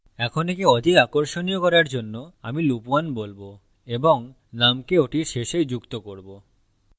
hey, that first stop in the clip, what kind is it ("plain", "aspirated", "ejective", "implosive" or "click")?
aspirated